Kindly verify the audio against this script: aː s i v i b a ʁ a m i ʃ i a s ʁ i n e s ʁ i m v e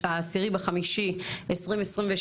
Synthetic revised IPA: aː s i ʁ i b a χ a m i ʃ i e s ʁ i m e s ʁ i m v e

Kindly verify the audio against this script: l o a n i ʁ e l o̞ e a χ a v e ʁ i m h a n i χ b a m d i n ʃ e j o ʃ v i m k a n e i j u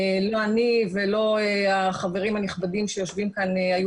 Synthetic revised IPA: l o a n i v e l o̞ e a χ a v e ʁ i m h a n i χ b a d i m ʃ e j o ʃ v i m k a n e a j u

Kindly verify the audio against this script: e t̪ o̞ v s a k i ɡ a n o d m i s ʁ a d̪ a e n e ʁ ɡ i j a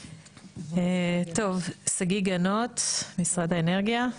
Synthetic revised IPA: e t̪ o̞ v s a ɡ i ɡ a n o t m i s ʁ a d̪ a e n e ʁ ɡ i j a

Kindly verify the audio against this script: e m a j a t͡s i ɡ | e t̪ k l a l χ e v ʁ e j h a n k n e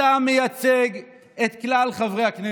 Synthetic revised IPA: a m e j a t͡s e ɡ | e t̪ k l a l χ a v ʁ e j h a k n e

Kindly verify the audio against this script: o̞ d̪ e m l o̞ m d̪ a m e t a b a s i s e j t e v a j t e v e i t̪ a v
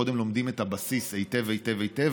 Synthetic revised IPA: o̞ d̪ e m l o̞ m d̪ i m e t a b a s i s e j t e v e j t e v e j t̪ e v

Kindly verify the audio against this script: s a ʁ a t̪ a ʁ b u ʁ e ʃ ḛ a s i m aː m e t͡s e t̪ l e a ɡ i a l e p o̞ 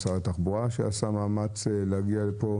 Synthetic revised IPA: s a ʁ a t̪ a χ b u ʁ a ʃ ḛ a s a m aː m a t͡s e l e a ɡ i a l e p o̞

